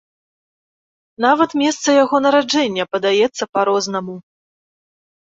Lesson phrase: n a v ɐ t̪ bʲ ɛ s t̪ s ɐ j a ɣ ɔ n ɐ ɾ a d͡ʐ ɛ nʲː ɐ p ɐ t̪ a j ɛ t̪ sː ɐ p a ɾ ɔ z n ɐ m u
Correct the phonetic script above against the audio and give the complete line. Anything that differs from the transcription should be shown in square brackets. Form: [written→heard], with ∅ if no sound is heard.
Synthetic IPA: n a v ɐ t̪ [bʲ→mʲ] ɛ s t̪ s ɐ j a ɣ ɔ n ɐ ɾ a d͡ʐ ɛ nʲː ɐ p ɐ [t̪→d̪] a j ɛ t̪ sː ɐ p a ɾ ɔ z n ɐ m u